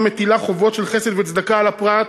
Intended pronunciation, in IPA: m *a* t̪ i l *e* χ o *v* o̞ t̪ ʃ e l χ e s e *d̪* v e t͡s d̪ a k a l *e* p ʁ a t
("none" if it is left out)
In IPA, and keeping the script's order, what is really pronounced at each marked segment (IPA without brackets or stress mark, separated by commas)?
e, a, v, d̪, a